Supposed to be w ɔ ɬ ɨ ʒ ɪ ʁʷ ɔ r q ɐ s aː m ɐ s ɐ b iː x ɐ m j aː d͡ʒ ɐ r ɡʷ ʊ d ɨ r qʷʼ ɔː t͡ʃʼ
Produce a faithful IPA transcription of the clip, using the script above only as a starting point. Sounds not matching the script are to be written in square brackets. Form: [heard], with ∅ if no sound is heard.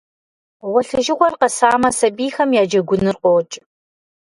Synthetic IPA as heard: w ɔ ɬ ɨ ʒ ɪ ʁʷ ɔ r q ɐ s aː m ɐ s ɐ b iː x ɐ m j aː d͡ʒ ɐ [∅] ɡʷ ʊ [n] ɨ r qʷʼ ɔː t͡ʃʼ